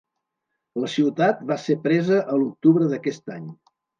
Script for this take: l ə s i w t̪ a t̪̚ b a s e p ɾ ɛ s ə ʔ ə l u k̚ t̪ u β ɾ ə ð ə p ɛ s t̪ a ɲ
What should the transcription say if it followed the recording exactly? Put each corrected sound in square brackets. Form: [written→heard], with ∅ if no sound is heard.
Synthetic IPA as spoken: l ə s i w t̪ a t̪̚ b a s e p ɾ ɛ [s→z] ə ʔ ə l u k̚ t̪ u β ɾ ə ð ə [p→k] ɛ s t̪ a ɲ